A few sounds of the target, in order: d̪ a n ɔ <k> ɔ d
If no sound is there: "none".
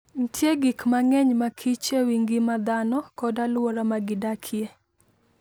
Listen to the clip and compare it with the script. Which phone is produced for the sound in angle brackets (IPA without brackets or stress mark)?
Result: k